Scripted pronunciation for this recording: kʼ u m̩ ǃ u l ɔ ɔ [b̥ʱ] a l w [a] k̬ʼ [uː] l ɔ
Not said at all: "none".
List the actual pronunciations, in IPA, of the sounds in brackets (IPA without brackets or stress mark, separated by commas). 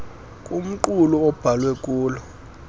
b̥ʱ, ɛ, uː